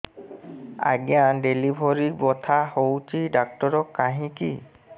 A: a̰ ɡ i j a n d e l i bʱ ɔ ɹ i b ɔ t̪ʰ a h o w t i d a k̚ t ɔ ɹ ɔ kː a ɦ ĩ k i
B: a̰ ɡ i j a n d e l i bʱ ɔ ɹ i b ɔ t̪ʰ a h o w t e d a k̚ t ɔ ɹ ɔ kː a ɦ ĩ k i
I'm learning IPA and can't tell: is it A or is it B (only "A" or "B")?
A